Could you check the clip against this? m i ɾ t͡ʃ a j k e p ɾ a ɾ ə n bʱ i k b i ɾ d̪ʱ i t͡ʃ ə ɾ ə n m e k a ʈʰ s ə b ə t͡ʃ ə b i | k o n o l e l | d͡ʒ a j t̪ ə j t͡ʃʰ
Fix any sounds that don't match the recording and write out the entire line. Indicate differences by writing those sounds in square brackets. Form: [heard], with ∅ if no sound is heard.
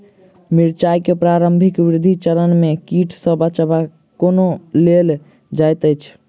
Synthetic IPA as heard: m i ɾ t͡ʃ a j k e p ɾ a ɾ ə [m] bʱ i k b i ɾ d̪ʱ i t͡ʃ ə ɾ ə n m e k [i] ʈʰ s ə b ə t͡ʃ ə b [a] | k o n o l e l | d͡ʒ a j t̪ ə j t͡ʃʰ